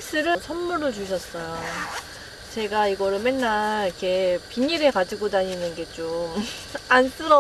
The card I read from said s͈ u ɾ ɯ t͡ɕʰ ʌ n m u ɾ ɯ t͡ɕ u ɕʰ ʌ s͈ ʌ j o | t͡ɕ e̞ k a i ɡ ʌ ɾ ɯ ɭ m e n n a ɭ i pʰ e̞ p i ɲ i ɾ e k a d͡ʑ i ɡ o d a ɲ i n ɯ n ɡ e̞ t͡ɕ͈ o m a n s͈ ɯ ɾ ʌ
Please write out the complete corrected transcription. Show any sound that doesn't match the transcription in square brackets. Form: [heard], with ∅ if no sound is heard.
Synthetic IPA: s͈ [ɯ] ɾ ɯ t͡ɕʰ ʌ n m u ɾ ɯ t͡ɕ u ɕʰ ʌ s͈ ʌ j o | t͡ɕ e̞ [ɡ] a i ɡ ʌ ɾ ɯ ɭ m e n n a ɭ i [kʰ] e̞ p i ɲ i ɾ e k a d͡ʑ i ɡ o d a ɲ i n ɯ n ɡ e̞ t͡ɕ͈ o m a n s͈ ɯ ɾ ʌ